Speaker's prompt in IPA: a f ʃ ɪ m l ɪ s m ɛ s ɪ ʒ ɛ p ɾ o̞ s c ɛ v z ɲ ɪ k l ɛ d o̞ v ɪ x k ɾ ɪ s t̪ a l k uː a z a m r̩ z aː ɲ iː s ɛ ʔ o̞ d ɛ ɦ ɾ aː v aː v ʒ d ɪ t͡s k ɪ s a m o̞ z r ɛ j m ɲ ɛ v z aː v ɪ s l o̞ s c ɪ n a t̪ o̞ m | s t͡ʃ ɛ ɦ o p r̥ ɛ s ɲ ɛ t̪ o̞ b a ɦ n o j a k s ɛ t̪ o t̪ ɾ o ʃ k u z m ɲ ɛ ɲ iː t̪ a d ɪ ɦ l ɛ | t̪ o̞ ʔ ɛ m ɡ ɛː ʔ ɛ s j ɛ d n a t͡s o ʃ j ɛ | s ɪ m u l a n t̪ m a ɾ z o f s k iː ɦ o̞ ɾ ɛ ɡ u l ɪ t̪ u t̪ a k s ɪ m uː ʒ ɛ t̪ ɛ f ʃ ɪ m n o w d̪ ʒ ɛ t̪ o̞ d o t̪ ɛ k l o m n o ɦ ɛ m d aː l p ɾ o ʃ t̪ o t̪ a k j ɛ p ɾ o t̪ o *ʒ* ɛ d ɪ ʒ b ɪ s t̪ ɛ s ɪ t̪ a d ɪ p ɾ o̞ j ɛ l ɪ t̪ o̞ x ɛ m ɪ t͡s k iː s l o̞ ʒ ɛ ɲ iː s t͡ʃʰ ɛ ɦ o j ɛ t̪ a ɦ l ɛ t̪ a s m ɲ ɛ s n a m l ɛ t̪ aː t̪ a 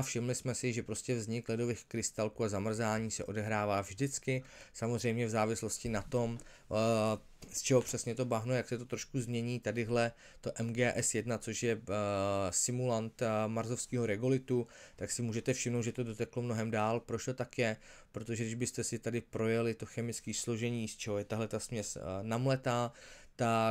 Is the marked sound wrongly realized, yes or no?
no